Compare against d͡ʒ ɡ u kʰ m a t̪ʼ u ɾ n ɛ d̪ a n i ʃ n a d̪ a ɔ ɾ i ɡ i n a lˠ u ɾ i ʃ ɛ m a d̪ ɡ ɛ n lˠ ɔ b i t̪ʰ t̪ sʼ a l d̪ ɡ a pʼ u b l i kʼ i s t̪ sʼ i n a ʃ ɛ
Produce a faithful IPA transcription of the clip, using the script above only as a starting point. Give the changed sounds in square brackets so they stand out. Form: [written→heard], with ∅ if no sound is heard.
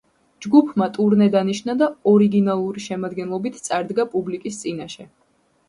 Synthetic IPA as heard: d͡ʒ ɡ u [kʰ→pʰ] m a t̪ʼ u ɾ n ɛ d̪ a n i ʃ n a d̪ a ɔ ɾ i ɡ i n a lˠ u ɾ i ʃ ɛ m a d̪ ɡ ɛ n lˠ ɔ b i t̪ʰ t̪ sʼ a [l→ɾ] d̪ ɡ a pʼ u b l i kʼ i s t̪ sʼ i n a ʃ ɛ